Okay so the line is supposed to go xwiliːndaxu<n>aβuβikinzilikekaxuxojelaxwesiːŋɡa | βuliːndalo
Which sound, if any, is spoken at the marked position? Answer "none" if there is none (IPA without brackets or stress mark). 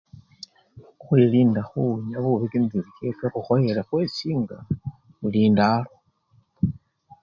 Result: ɲ